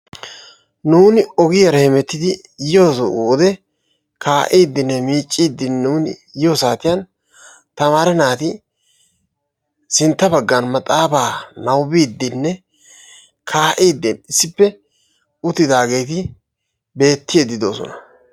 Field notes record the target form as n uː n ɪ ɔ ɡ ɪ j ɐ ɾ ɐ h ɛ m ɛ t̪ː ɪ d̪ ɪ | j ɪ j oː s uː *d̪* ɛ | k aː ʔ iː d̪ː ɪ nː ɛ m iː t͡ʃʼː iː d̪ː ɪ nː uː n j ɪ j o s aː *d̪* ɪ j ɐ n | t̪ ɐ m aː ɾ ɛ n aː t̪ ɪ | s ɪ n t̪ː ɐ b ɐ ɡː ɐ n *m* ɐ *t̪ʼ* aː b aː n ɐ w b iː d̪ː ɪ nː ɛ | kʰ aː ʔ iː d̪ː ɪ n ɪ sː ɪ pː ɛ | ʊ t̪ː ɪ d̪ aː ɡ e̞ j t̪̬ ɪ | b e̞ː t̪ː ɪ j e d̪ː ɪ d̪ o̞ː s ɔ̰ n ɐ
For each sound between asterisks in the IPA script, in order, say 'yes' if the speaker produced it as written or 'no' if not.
yes, no, yes, yes

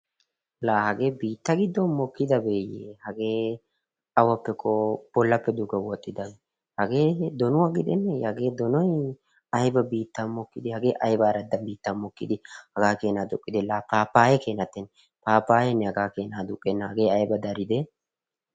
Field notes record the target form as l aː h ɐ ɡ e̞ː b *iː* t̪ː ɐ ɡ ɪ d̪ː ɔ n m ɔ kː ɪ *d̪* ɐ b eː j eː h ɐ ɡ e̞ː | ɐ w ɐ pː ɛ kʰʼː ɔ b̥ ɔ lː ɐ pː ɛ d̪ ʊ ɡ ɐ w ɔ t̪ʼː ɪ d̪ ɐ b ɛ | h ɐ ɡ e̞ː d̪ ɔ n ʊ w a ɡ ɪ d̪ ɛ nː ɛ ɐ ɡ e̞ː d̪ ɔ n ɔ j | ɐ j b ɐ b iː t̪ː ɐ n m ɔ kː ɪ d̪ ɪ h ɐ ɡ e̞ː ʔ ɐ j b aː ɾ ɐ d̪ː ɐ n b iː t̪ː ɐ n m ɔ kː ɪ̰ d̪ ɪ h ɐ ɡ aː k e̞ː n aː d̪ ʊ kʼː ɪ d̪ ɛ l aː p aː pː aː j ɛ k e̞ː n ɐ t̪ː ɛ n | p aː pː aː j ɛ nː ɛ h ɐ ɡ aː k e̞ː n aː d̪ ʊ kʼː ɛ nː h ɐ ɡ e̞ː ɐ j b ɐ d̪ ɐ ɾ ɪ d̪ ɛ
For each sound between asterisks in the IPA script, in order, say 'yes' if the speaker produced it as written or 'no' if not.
yes, yes

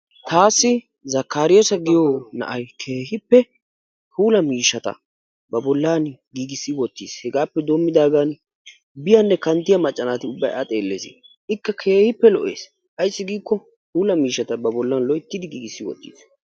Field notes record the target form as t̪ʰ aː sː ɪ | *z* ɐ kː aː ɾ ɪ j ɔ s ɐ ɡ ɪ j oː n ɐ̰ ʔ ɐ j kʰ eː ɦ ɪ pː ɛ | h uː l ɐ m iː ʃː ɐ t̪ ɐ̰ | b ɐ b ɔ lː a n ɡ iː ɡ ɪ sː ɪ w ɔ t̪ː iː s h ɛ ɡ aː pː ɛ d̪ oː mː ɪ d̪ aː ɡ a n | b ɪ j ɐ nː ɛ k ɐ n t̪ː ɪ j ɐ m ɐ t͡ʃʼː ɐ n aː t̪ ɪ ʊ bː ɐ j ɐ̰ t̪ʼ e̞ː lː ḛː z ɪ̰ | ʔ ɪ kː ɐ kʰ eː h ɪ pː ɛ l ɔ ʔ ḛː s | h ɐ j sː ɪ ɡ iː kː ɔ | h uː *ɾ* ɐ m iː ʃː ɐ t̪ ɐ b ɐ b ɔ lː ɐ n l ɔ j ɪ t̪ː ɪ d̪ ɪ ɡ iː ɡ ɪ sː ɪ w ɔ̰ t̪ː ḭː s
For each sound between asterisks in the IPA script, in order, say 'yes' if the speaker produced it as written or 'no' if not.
yes, no

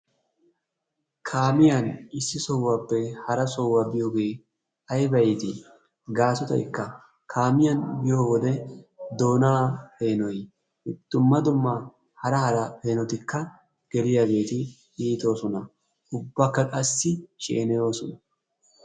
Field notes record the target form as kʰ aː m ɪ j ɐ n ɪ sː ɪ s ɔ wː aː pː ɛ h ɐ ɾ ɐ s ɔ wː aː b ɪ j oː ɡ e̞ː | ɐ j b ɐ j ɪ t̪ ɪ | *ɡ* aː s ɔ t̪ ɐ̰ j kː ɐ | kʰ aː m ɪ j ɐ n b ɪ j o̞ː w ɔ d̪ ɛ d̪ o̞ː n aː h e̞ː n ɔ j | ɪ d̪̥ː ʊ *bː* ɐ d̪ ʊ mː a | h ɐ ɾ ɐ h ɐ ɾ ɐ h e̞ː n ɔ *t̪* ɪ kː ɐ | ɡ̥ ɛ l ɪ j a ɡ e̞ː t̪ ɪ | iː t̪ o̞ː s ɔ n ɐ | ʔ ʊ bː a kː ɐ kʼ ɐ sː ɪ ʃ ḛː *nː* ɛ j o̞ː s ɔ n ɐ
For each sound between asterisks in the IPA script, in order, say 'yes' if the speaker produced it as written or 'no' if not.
yes, no, yes, no

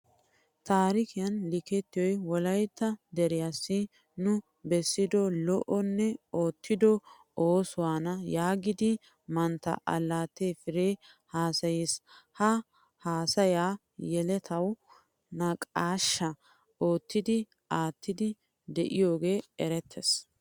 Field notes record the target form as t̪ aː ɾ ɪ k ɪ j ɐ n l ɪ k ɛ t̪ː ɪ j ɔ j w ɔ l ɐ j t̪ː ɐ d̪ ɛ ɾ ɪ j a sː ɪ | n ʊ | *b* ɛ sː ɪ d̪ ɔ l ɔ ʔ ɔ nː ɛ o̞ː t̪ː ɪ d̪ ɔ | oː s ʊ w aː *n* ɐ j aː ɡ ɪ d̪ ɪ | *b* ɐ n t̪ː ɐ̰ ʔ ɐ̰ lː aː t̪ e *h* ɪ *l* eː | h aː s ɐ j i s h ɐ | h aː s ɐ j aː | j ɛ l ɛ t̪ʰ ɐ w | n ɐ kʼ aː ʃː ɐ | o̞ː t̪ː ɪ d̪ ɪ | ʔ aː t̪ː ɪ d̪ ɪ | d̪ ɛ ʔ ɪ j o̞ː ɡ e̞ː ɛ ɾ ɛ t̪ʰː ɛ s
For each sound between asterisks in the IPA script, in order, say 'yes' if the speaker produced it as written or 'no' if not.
yes, yes, no, no, no

